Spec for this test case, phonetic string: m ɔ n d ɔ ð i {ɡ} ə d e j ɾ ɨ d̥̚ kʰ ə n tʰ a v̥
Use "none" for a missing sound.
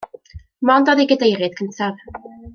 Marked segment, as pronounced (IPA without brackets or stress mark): ɡ